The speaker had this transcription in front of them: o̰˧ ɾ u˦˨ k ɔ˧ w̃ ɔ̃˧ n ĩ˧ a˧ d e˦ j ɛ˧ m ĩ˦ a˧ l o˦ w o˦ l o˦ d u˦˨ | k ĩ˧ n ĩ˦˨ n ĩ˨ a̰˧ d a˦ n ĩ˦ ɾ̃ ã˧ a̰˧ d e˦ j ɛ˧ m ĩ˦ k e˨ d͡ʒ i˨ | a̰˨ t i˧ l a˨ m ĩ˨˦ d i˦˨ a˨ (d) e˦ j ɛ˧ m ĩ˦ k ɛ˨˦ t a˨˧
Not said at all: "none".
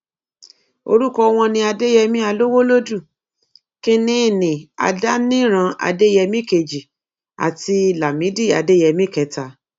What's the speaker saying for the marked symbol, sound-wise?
d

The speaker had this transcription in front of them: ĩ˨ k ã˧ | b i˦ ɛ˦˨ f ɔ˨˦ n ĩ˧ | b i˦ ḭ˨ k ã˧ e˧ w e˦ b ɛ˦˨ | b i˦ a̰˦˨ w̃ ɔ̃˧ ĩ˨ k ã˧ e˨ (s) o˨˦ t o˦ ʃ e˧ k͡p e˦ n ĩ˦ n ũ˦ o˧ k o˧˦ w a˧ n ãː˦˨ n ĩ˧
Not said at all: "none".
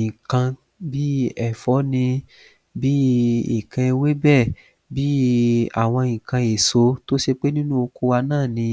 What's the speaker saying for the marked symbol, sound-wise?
s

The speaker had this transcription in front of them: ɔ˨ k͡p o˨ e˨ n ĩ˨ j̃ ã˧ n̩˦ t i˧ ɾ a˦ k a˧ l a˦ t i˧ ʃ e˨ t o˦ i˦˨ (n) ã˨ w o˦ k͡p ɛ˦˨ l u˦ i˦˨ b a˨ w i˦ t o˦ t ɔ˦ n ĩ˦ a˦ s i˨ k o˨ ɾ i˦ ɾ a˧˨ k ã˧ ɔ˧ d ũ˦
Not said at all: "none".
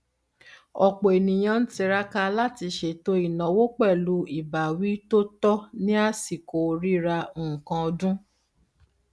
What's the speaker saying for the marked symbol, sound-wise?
n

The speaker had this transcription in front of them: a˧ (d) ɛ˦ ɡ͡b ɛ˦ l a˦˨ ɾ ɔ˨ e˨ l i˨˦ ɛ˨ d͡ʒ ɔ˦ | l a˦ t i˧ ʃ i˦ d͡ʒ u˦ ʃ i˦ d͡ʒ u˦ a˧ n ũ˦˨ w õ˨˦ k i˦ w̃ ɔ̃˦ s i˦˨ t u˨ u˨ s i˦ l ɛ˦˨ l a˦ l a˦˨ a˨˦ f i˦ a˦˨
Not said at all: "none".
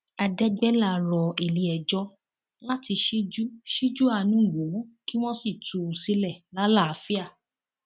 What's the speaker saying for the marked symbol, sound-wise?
d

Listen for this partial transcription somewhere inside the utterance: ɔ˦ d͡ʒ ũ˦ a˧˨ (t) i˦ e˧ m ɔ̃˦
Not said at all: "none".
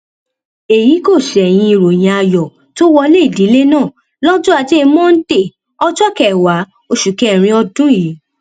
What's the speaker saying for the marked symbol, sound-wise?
t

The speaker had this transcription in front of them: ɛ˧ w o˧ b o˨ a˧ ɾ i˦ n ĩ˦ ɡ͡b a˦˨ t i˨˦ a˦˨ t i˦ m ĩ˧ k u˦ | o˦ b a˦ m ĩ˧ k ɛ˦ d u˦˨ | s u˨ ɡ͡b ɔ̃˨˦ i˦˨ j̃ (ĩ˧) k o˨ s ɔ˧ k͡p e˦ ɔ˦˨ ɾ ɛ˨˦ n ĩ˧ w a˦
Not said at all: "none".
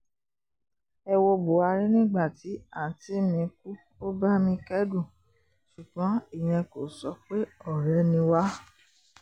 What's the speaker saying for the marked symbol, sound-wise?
ɛ̃˧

